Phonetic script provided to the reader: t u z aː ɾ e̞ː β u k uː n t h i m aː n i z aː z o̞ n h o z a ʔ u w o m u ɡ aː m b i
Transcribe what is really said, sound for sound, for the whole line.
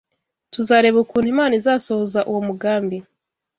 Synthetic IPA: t u z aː ɾ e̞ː β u k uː n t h i m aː n i z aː s o̞ h o z a ʔ u w o m u ɡ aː m b i